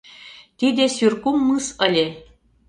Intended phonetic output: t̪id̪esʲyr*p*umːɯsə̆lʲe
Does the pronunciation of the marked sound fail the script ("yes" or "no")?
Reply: yes